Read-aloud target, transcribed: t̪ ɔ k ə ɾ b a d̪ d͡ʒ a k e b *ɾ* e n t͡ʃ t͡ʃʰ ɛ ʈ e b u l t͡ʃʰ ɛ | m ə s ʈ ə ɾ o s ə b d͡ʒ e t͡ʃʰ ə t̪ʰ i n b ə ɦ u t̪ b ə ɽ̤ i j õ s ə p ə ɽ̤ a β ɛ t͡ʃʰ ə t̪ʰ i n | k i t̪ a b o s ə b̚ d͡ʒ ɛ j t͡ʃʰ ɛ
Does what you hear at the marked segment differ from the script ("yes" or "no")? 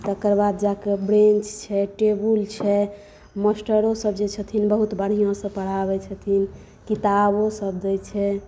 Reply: no